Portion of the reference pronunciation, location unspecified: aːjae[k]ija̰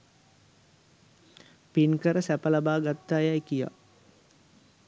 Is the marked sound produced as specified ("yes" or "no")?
yes